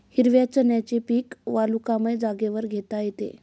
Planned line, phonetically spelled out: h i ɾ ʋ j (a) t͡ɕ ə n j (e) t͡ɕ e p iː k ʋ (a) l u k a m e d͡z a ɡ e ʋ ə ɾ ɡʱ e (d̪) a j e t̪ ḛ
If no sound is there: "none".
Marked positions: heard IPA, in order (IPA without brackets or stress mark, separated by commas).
a, a, a, t̪